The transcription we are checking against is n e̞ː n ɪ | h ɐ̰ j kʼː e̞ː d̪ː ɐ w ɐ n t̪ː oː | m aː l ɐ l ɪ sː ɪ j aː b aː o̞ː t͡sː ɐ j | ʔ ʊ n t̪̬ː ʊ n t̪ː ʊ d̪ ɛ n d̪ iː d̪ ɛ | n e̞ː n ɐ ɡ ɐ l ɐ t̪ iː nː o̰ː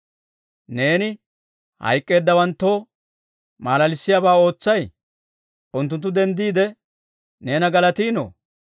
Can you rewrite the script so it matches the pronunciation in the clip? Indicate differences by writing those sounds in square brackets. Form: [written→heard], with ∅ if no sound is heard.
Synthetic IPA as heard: n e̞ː n ɪ | h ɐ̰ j kʼː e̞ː d̪ː ɐ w ɐ n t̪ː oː | m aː l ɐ l ɪ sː ɪ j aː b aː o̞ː t͡sː ɐ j | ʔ ʊ n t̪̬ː ʊ n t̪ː ʊ d̪ ɛ n d̪ iː d̪ ɛ | n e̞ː n ɐ ɡ ɐ l ɐ t̪ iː [nː→n] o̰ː